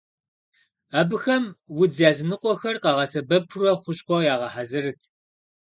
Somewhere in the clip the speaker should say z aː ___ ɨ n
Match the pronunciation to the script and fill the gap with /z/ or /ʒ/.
z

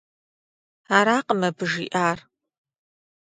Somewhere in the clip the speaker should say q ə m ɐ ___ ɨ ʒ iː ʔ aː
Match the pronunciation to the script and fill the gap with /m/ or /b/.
b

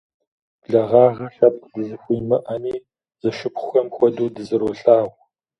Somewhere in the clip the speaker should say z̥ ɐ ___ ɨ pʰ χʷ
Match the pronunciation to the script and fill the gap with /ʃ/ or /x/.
ʃ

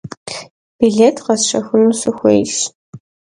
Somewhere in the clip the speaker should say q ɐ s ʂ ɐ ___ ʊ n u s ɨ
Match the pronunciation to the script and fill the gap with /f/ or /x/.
x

